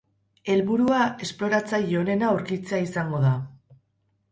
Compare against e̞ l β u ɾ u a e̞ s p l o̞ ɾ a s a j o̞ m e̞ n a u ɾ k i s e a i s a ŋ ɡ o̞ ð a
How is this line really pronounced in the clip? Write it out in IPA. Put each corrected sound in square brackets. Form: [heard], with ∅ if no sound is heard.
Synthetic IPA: e̞ l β u ɾ u a e̞ s p l o̞ ɾ a [t͡s] a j o̞ [n] e̞ n a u ɾ k i [t͡s] e a i s a ŋ ɡ o̞ ð a